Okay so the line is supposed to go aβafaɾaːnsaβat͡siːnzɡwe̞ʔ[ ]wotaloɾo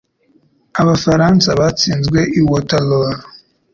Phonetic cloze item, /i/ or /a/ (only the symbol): i